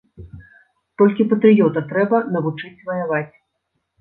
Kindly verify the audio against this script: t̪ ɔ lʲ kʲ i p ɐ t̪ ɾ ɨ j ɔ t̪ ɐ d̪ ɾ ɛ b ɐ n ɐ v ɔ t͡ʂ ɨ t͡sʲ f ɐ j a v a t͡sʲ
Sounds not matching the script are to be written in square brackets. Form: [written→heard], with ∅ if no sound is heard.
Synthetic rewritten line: t̪ ɔ lʲ kʲ i p ɐ t̪ ɾ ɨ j ɔ t̪ ɐ [d̪→t̪] ɾ ɛ b ɐ n ɐ v [ɔ→u] t͡ʂ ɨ t͡sʲ [f→v] ɐ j a v a t͡sʲ